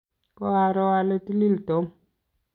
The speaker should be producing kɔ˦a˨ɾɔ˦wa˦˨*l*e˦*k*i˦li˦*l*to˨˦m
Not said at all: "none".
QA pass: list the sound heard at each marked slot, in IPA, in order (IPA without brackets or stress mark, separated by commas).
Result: l, t, l